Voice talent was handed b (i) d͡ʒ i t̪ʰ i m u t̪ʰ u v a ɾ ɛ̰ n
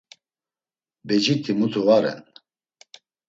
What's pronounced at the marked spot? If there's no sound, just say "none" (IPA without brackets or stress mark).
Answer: ɛ